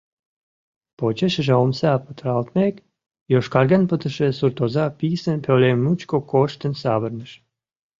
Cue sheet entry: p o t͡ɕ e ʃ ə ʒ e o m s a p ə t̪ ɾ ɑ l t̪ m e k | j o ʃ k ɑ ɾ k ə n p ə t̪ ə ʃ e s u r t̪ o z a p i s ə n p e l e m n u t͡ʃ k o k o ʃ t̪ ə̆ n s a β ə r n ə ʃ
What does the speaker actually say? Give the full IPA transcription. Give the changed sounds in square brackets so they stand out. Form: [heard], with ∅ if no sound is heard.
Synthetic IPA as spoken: p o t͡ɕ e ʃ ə ʒ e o m s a p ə t̪ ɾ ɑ l t̪ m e k | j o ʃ k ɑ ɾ [ɡ] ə n p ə t̪ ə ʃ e s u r t̪ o z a p i s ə n p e l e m n u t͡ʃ k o k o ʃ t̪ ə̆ n s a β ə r n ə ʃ